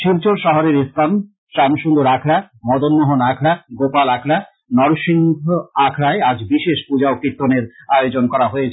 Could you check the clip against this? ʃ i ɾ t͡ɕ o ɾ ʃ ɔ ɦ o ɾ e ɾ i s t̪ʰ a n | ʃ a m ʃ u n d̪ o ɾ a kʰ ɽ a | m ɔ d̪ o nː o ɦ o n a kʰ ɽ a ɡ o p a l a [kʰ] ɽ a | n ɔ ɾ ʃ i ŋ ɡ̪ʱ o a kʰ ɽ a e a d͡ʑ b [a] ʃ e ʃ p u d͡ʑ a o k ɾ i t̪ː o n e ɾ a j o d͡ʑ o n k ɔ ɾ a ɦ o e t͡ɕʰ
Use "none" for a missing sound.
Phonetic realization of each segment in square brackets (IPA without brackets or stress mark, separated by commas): kʰ, i